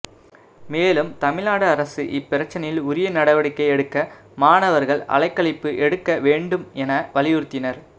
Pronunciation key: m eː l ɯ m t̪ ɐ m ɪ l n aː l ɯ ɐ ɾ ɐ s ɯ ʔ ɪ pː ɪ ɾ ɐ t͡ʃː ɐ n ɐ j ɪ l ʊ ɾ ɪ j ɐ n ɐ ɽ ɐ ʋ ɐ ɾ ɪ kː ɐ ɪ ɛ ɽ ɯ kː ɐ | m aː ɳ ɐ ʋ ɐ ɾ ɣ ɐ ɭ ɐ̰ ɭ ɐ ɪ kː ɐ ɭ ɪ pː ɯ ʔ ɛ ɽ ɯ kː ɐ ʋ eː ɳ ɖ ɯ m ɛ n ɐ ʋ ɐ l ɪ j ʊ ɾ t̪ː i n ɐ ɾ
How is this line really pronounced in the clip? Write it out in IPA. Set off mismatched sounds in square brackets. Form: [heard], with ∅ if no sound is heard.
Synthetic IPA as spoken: m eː l ɯ m t̪ ɐ m ɪ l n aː [ɽ] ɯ ɐ ɾ ɐ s ɯ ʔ ɪ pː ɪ ɾ ɐ t͡ʃː ɐ n ɐ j ɪ l ʊ ɾ ɪ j ɐ n ɐ ɽ ɐ ʋ ɐ [ɽ] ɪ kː ɐ ɪ ɛ ɽ ɯ kː ɐ | m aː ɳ ɐ ʋ ɐ ɾ ɣ ɐ ɭ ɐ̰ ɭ ɐ ɪ kː ɐ ɭ ɪ pː ɯ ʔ ɛ ɽ ɯ kː ɐ ʋ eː ɳ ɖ ɯ m ɛ n ɐ ʋ ɐ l ɪ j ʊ ɾ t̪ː [ɪ] n ɐ ɾ